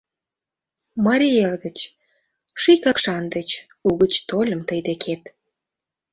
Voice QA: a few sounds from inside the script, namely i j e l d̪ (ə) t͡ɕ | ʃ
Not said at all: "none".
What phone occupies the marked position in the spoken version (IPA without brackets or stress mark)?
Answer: ə